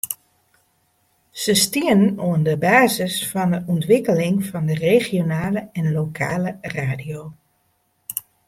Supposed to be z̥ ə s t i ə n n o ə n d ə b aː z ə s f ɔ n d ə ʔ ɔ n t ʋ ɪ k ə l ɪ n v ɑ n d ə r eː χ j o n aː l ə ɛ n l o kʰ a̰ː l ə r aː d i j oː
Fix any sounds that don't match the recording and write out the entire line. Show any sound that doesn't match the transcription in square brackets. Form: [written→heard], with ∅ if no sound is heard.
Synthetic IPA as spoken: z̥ ə s t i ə n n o ə n d ə b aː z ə s f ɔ n d ə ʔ ɔ n t ʋ ɪ k ə l ɪ [n→ŋ] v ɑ n d ə r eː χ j o n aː l ə ɛ n l o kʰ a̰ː l ə r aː d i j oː